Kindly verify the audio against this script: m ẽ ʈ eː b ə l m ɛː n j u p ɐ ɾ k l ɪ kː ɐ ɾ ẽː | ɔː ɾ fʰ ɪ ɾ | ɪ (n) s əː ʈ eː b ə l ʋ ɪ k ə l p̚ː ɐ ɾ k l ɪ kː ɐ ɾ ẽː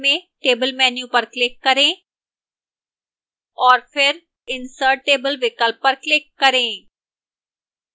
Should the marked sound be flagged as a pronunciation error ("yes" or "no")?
no